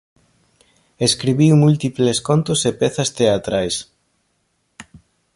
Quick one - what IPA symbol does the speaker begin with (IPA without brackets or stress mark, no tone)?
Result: e